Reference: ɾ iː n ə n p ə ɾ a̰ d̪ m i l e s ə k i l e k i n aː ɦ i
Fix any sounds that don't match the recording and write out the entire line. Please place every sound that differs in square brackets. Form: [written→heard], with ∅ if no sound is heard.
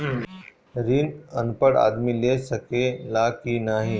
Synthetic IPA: ɾ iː n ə n p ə [ɾ→ɽ] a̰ d̪ m i l e s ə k [i→e] l [e→a] k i n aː ɦ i